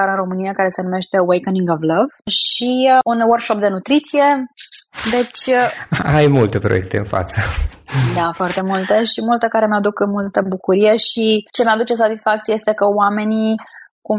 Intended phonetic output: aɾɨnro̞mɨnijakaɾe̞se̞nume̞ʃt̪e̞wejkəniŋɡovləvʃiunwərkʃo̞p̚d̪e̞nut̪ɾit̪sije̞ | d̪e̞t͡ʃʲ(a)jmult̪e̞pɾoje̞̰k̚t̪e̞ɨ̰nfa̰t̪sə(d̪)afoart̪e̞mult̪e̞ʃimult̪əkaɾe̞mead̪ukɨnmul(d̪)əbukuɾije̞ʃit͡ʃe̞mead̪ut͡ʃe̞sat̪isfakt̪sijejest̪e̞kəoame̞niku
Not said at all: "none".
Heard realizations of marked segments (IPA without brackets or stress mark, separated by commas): a, d̪, t̪